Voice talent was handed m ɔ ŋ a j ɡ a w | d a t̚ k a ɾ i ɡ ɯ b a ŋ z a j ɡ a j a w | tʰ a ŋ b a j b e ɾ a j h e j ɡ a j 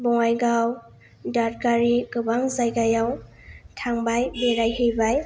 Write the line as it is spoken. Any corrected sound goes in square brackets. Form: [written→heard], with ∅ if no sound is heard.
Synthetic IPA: [m→b] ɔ ŋ a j ɡ a w | d a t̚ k a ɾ i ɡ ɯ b a ŋ z a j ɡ a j a w | tʰ a ŋ b a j b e ɾ a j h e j [ɡ→b] a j